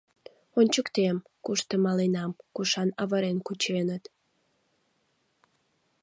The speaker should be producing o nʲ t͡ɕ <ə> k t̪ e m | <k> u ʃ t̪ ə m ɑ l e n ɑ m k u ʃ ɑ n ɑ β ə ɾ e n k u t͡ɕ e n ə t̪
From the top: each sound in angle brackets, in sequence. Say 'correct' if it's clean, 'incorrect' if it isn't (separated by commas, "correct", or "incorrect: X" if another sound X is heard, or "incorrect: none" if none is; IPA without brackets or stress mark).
correct, correct